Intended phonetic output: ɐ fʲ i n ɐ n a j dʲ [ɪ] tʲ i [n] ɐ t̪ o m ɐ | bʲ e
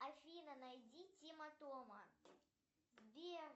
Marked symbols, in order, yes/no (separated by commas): no, no